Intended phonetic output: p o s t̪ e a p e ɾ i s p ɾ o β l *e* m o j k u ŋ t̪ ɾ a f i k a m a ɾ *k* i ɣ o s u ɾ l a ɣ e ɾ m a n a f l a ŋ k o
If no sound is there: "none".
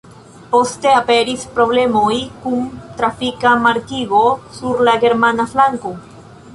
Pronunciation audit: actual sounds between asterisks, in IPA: e, k

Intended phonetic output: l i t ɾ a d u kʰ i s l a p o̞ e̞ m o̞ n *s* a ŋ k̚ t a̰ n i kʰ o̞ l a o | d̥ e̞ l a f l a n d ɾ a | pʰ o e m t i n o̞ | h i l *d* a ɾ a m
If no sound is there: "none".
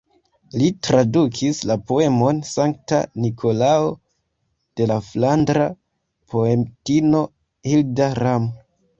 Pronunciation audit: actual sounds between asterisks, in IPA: s, d

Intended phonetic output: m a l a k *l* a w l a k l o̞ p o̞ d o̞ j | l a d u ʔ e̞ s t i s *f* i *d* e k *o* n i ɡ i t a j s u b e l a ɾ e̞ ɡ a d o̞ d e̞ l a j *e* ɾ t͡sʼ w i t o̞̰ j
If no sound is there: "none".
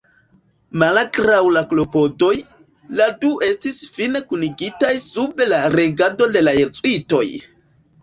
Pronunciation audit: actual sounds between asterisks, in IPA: ɾ, f, n, u, e

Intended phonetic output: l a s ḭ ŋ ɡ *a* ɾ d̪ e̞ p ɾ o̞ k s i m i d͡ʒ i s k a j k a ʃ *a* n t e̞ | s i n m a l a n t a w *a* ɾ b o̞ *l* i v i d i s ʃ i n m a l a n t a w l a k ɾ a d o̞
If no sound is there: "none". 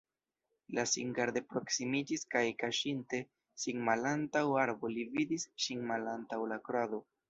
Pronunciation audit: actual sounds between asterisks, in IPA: a, i, a, l

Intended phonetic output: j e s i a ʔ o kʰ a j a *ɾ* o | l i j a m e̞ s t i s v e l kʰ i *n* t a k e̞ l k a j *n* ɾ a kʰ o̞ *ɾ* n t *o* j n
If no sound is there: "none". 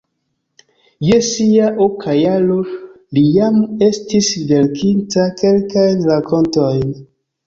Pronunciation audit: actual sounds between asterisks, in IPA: l, n, n, none, o

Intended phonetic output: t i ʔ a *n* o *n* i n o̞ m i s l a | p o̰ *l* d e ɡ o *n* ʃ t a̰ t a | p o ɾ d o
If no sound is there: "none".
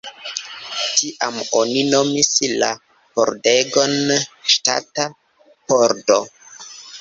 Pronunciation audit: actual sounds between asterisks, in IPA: m, n, ɾ, n

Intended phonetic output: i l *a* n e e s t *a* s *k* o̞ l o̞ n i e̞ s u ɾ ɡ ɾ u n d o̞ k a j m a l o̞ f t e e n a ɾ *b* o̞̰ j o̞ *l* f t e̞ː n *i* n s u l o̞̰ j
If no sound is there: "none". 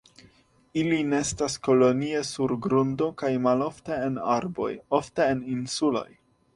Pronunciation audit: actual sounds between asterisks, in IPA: i, a, k, b, none, i

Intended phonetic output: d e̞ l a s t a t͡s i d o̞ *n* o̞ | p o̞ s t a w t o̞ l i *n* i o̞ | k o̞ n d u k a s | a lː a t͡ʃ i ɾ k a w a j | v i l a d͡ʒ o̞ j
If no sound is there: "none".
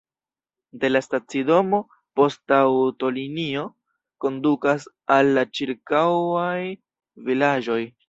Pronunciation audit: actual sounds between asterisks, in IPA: m, n

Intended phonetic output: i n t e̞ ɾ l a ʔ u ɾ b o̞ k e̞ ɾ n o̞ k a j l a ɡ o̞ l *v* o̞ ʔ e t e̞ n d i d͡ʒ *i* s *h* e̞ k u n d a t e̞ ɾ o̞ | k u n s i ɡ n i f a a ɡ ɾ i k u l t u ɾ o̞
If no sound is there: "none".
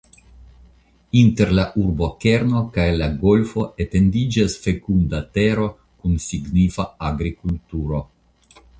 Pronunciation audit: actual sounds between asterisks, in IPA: f, a, f

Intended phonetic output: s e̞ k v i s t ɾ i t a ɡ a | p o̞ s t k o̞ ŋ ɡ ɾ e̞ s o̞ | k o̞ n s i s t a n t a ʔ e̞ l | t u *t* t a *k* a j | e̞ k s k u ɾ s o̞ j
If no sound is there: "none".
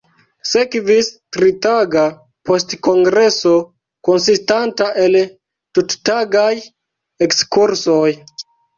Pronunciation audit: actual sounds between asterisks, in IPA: t, ɡ

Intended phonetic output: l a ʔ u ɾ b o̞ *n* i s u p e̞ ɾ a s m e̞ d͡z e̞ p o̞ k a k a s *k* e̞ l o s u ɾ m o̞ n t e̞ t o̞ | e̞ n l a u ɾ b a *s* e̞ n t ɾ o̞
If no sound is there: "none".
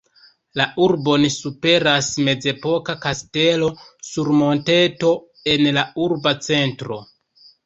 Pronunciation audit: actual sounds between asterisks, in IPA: n, t, t͡s

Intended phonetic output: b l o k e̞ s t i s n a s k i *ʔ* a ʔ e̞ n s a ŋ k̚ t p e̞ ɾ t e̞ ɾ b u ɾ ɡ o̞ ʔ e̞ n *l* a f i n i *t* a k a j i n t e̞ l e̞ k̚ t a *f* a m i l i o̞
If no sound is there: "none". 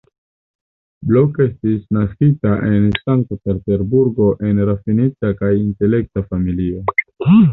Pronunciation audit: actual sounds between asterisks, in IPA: t, ɾ, t͡s, f

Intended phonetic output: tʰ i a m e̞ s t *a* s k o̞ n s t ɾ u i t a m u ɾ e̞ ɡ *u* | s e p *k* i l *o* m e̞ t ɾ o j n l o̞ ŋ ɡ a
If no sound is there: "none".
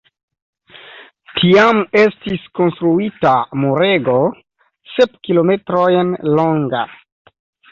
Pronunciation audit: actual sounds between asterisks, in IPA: i, o, k, o

